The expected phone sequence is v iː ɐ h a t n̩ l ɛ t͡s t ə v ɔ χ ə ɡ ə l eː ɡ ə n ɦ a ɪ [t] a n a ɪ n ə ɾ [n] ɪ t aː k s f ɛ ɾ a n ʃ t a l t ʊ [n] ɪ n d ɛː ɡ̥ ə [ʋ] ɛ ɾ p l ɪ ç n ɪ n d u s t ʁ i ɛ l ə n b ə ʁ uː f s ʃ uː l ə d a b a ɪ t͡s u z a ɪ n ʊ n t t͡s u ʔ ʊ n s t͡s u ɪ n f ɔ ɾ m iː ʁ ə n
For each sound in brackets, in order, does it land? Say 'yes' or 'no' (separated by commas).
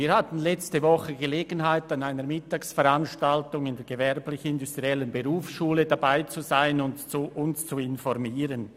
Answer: yes, no, no, no